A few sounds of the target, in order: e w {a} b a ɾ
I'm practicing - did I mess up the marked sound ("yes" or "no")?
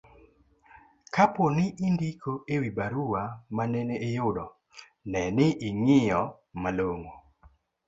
yes